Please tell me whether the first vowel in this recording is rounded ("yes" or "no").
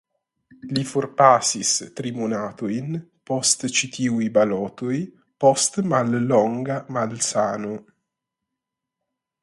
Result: no